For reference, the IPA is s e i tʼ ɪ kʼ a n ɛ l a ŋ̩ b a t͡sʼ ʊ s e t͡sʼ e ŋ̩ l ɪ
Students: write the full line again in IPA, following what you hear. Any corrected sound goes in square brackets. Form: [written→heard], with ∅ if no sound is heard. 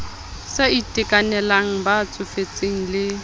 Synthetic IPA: s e i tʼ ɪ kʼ a n ɛ l a ŋ̩ b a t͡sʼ ʊ [s→f] e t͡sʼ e ŋ̩ l ɪ